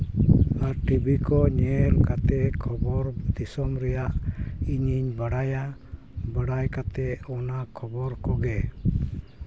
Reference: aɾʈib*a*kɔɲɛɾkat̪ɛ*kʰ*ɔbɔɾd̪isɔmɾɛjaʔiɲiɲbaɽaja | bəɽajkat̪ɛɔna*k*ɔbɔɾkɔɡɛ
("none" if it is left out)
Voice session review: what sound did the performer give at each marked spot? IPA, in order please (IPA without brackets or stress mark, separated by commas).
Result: i, kʰ, kʰ